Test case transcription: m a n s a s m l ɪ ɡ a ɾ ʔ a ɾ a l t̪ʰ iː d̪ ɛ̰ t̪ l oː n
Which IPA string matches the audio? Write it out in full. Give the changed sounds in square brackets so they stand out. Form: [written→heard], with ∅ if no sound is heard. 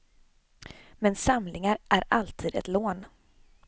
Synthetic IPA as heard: m [a→ɛ] n s a [s→∅] m l ɪ [ɡ→ŋ] a ɾ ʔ [a→æ] ɾ a l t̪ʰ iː d̪ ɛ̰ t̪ l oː n